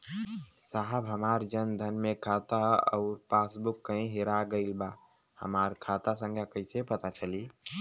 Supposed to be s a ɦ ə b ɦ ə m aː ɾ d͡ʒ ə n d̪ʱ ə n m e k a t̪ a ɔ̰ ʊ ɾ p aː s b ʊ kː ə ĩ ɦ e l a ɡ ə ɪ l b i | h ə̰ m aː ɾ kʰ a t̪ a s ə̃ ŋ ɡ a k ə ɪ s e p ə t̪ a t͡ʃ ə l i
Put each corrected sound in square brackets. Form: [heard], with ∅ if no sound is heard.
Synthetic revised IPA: s a ɦ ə b ɦ ə m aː ɾ d͡ʒ ə n d̪ʱ ə n m e [kʰ] a t̪ a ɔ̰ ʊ ɾ p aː s b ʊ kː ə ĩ ɦ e [ɾ] a ɡ ə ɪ l b [a] | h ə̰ m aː ɾ kʰ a t̪ a s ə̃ ŋ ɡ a k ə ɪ s e p ə t̪ a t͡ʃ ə l i